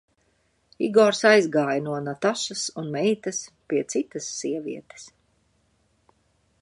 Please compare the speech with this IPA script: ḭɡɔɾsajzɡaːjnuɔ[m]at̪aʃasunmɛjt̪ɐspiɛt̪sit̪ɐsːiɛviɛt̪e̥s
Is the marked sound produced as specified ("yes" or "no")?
no